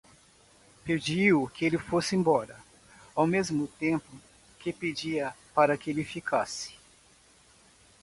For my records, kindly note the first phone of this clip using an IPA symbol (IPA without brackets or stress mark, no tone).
p